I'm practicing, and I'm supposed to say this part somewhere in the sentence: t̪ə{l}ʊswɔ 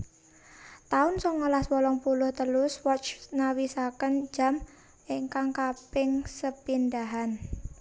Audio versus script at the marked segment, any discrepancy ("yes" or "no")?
no